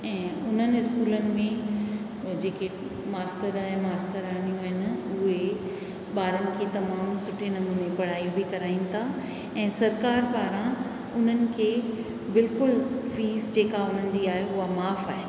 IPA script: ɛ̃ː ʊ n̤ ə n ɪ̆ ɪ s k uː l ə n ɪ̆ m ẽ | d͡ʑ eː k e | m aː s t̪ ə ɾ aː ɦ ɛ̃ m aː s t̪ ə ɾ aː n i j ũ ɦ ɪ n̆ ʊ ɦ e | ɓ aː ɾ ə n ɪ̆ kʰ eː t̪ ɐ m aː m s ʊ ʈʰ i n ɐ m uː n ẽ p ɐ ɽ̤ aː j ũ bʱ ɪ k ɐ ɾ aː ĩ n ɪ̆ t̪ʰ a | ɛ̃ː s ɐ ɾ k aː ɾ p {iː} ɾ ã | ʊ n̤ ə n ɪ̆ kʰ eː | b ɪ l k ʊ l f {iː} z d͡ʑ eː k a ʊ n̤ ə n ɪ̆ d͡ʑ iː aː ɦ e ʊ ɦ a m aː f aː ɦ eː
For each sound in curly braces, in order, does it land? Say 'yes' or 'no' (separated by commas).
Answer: no, yes